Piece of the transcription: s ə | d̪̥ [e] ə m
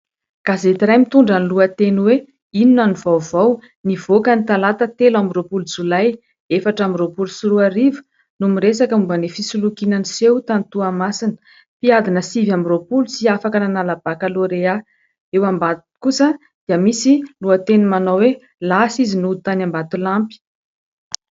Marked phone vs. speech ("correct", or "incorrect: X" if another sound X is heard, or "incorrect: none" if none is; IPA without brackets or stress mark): incorrect: i